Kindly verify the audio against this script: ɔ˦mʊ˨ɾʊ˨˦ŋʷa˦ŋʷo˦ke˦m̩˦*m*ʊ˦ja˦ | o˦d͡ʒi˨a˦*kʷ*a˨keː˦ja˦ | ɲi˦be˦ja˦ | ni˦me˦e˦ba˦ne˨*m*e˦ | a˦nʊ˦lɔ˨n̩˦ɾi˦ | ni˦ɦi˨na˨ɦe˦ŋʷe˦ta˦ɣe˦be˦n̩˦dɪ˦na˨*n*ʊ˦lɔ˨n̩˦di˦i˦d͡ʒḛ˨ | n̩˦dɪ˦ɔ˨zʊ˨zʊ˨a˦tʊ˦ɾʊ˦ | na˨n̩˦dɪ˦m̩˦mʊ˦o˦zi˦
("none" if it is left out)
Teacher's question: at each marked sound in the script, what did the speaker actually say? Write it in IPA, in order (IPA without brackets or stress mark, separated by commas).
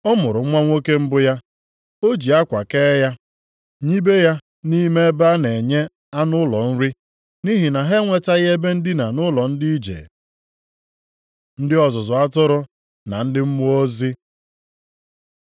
b, kʷ, ɲ, n